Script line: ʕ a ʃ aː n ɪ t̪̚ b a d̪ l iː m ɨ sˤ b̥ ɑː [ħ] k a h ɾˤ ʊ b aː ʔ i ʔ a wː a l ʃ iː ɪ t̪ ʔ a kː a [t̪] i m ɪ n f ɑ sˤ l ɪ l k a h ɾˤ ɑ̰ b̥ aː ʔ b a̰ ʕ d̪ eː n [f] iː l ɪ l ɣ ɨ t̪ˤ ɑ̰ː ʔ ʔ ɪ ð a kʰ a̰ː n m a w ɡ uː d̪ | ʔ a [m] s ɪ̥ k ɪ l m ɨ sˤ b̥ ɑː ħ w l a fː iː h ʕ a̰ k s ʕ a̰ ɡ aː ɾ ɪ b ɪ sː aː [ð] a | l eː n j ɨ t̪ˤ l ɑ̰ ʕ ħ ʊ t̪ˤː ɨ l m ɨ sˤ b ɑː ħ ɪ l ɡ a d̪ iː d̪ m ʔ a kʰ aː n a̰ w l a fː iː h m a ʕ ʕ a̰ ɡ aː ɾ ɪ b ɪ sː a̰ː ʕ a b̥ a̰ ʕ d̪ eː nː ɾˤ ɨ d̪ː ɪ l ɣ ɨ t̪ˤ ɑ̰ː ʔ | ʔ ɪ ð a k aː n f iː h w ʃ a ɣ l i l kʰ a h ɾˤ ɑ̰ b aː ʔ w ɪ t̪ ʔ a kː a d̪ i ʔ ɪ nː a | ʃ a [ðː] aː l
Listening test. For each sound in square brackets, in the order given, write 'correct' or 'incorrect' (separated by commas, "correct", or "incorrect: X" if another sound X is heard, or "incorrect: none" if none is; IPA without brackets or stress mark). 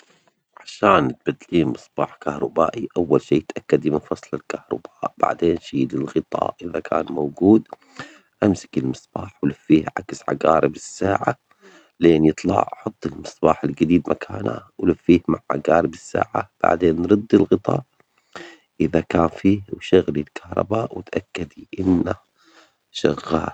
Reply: correct, incorrect: d̪, incorrect: ʃ, correct, incorrect: ʕ, incorrect: ɣː